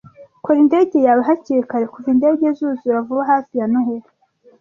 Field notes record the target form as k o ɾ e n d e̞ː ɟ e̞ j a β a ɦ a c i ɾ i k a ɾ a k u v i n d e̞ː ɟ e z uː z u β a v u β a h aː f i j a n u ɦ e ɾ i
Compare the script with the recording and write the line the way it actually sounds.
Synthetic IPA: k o ɾ i n d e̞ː ɟ e̞ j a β a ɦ a c i ɾ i k a ɾ e k u v i n d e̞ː ɟ e z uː z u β a v u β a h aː f i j a n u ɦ e ɾ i